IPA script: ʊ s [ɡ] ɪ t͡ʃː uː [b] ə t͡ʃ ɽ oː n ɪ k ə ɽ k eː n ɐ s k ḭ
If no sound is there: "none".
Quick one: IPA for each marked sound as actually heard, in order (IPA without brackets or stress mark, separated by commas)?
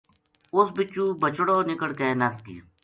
b, b